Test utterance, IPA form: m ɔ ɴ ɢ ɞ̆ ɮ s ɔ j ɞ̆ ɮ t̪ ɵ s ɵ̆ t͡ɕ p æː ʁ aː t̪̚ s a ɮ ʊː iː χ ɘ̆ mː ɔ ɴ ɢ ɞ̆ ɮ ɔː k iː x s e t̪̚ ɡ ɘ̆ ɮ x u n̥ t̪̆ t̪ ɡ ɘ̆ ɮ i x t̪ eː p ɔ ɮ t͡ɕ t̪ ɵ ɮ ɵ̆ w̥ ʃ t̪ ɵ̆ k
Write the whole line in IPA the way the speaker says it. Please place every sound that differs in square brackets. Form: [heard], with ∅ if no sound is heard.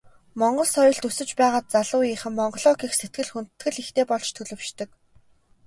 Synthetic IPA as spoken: m ɔ ɴ ɢ ɞ̆ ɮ s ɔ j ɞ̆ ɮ t̪ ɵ s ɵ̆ t͡ɕ p æː ʁ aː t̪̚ [t͡s] a ɮ ʊː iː χ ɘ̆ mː ɔ ɴ ɢ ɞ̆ ɮ ɔː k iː x s e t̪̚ ɡ ɘ̆ ɮ x u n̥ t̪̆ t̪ ɡ ɘ̆ ɮ i x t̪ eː p ɔ ɮ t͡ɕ [t̪ʰ] ɵ ɮ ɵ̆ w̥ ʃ t̪ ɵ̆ k